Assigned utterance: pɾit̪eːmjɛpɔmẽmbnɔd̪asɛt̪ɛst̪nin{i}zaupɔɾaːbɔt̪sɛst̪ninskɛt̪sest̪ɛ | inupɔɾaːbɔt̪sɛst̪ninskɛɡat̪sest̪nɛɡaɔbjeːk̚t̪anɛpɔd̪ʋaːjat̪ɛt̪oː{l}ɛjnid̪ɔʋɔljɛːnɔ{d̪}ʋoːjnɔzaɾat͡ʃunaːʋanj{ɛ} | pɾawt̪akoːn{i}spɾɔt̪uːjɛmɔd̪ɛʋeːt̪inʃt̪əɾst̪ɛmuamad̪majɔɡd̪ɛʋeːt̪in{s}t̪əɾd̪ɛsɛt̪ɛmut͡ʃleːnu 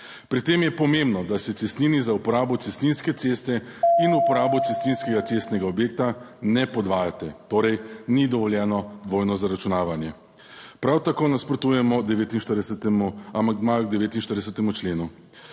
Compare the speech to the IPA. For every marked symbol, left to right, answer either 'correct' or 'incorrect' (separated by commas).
correct, incorrect, correct, correct, incorrect, incorrect